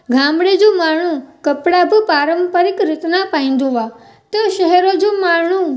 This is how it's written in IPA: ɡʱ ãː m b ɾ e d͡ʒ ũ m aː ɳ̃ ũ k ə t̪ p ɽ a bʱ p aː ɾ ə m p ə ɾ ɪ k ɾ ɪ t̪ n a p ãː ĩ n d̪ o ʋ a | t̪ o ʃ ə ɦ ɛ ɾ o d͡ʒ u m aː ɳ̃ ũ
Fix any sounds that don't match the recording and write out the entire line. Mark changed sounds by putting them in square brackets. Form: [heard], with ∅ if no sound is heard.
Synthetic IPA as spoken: ɡʱ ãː m b [ɽ] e d͡ʒ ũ m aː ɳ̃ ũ k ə [∅] p ɽ a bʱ p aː ɾ ə m p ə ɾ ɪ k ɾ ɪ t̪ n a p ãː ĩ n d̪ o ʋ a | t̪ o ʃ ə ɦ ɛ ɾ o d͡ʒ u m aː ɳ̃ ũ